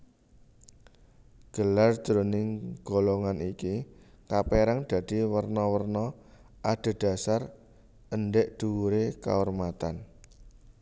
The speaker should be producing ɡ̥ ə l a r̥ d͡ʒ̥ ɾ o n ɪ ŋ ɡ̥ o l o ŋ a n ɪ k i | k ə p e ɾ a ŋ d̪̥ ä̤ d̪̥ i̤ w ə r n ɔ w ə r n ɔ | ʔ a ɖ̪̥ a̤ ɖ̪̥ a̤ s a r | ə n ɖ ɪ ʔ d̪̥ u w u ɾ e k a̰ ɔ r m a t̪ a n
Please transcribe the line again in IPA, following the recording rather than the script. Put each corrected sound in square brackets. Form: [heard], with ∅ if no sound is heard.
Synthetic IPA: ɡ̥ ə l a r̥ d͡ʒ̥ ɾ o n ɪ ŋ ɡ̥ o l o ŋ a n [i] k i | k [a] p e ɾ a ŋ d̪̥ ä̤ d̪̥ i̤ w ə r n ɔ w ə r n ɔ | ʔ a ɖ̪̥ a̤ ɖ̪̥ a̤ s a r | ə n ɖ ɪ ʔ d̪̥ u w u ɾ e k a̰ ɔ r m a t̪ a n

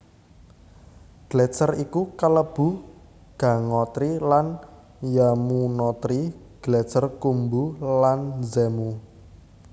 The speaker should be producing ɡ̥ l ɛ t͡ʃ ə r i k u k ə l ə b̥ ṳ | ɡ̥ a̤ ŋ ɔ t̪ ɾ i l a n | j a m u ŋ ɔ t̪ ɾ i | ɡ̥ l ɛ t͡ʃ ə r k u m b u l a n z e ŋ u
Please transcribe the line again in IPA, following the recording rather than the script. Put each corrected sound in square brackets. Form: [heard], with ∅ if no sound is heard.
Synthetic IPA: ɡ̥ l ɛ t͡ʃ ə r i k u k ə l ə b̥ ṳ | ɡ̥ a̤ ŋ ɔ t̪ ɾ i l a n | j a m u [n] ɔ t̪ ɾ i | ɡ̥ l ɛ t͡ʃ ə r k u m b u l a n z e [m] u

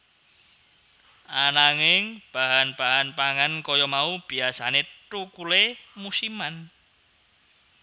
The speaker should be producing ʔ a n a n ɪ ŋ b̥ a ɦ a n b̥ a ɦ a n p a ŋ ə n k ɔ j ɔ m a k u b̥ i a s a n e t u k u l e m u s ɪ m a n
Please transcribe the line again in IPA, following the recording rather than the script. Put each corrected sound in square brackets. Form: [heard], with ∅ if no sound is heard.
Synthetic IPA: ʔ a n a [ŋ] ɪ ŋ b̥ a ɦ a n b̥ a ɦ a n p a ŋ [a] n k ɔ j ɔ m a [∅] u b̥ i a s a n e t u k u l e m u s [i] m a n

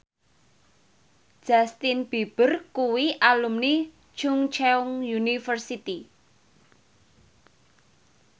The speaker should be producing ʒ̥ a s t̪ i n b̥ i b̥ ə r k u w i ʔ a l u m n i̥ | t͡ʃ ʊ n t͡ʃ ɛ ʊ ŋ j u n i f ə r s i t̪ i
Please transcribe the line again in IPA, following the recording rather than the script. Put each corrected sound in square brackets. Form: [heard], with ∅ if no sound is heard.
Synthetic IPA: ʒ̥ a s t̪ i n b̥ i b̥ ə r k u w i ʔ a l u m n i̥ | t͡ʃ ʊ [ŋ] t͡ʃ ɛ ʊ ŋ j u n i f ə r s i t̪ i

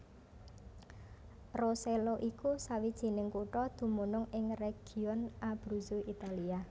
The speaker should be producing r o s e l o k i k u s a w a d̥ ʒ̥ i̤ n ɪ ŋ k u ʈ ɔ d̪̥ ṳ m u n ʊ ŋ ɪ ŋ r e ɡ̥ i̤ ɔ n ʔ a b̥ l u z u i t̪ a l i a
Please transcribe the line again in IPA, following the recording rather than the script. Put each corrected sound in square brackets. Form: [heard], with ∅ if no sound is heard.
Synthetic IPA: r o s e l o [ʔ] i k u s a w [i] d̥ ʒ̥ i̤ n ɪ ŋ k u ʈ ɔ d̪̥ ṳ m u n ʊ ŋ ɪ ŋ r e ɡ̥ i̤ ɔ n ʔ a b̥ [ɾ] u z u i t̪ a l i a

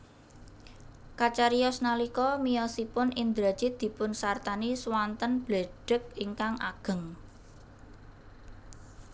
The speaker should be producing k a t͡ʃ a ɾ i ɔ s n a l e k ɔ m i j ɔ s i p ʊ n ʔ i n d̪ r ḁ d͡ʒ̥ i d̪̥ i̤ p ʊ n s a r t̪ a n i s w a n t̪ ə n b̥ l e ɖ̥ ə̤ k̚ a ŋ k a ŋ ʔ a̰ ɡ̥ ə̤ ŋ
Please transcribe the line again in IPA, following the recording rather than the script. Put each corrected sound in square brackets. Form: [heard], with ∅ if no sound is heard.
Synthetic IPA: k a t͡ʃ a ɾ i ɔ s n a l [i] k ɔ m i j ɔ s i p ʊ n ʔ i n d̪ [ɾ] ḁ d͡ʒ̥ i d̪̥ i̤ p ʊ n s a r t̪ a n i s w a n t̪ ə n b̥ l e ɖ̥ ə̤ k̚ [i] ŋ k a ŋ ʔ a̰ ɡ̥ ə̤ ŋ

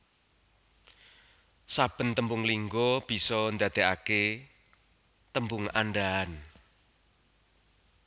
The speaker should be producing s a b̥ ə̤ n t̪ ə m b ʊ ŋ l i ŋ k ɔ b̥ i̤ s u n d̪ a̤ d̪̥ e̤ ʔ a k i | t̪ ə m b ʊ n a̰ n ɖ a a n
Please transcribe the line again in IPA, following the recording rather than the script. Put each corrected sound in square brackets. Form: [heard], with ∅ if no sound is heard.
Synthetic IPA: s a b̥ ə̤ n t̪ ə m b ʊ ŋ l i ŋ [ɡ] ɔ b̥ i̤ s [ɔ] n d̪ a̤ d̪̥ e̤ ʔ a k [e] | t̪ ə m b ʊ [ŋ] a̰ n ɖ a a n

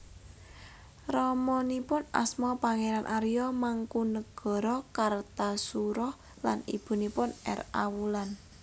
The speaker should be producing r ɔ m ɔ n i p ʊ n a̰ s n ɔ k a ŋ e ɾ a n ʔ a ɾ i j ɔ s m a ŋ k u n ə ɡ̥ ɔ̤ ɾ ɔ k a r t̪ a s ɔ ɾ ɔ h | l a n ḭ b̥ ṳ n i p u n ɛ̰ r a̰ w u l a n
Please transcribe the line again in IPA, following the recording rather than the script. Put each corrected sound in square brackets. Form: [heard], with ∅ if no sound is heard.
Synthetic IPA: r ɔ m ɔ n i p ʊ n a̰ s [m] ɔ [p] a ŋ e ɾ a n ʔ a ɾ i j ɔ [∅] m a ŋ k u n ə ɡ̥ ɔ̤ ɾ ɔ k a r t̪ a s [u] ɾ ɔ h | l a n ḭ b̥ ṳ n i p [ʊ] n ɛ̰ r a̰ w u l a n

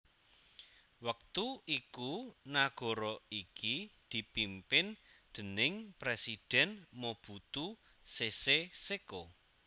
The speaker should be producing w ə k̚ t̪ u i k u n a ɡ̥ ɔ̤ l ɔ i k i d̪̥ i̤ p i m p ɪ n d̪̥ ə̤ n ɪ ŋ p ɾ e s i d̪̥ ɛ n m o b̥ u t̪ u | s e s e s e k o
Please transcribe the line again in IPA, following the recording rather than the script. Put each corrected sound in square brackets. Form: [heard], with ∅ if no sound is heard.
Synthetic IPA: w ə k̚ t̪ u i k u n a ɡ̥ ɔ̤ [ɾ] ɔ i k i d̪̥ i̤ p i m p ɪ n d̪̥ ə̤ n ɪ ŋ p ɾ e s i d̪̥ ɛ n m o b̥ u t̪ u | s e s e s e k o

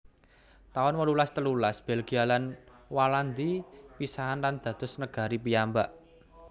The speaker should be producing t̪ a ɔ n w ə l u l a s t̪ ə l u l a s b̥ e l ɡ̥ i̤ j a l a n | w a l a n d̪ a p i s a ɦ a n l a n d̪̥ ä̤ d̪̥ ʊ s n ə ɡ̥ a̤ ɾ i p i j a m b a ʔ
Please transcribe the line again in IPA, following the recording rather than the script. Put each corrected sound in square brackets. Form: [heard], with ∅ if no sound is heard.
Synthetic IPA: t̪ a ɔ n w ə l u l a s t̪ ə l u l a s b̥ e l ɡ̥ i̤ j a l a n | w a l a n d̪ [i] p i s a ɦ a n l a n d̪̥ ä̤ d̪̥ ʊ s n ə ɡ̥ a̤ ɾ i p i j a m b a ʔ

